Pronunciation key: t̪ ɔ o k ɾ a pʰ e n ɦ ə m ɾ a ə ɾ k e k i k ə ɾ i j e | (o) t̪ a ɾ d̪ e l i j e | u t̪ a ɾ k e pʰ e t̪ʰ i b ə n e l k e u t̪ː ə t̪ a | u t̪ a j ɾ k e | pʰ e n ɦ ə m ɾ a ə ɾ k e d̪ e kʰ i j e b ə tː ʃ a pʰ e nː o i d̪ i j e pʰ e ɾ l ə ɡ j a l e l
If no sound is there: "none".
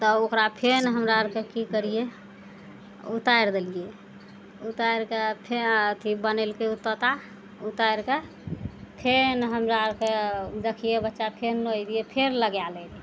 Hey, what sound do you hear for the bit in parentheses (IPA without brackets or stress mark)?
u